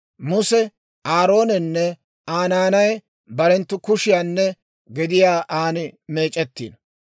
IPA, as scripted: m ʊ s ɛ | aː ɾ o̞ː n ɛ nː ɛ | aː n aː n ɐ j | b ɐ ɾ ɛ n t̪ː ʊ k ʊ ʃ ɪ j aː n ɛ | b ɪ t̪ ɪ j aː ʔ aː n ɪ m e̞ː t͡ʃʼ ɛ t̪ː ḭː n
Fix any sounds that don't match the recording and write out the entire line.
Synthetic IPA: m ʊ s ɛ | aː ɾ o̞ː n ɛ nː ɛ | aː n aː n ɐ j | b ɐ ɾ ɛ n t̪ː ʊ k ʊ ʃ ɪ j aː nː ɛ | ɡ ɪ d̪ ɪ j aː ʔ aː n ɪ m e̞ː t͡ʃʼ ɛ t̪ː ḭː n